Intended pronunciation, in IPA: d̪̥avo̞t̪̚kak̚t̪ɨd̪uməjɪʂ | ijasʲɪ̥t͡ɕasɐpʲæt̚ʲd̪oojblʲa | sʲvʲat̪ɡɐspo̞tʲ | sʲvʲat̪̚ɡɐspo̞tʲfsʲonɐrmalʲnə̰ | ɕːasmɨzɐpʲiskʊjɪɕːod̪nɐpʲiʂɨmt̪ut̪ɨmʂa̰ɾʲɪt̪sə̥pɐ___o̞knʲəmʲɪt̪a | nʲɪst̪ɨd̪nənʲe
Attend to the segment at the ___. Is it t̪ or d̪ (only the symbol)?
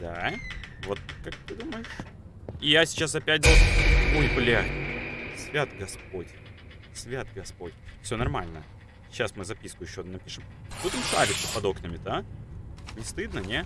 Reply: d̪